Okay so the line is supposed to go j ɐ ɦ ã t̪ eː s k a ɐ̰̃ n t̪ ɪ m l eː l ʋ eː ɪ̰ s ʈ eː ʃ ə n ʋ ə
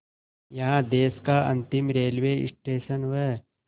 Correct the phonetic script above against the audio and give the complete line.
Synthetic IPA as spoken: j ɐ ɦ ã d̪ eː s k a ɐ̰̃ n t̪ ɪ m ɾ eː l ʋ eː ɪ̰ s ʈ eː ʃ ə n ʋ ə